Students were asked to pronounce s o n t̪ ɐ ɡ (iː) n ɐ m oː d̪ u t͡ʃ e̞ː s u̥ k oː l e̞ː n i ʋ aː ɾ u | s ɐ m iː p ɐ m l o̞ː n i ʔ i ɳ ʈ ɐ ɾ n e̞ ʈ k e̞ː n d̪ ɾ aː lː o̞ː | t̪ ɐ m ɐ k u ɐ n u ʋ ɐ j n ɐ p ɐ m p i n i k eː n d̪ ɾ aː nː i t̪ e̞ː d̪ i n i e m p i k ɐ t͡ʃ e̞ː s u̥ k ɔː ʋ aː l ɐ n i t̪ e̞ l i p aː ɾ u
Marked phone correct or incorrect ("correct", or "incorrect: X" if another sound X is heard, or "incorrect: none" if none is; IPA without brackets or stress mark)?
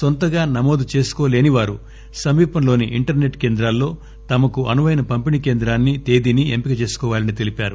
incorrect: aː